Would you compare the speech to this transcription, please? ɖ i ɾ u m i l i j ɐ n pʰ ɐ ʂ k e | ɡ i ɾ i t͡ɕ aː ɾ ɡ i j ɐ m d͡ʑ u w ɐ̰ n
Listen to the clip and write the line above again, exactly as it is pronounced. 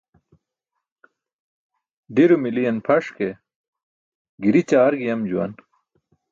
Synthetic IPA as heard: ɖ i ɾ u m i l i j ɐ n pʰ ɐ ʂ k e | ɡ i ɾ i t͡ɕ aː ɾ ɡ i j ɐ m d͡ʑ u w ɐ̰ n